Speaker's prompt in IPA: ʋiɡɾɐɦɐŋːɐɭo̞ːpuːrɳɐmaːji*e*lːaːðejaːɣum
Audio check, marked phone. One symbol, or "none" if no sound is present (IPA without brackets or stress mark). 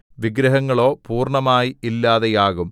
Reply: i